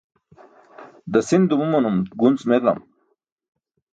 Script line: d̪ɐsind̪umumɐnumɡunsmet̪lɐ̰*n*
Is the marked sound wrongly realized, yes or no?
yes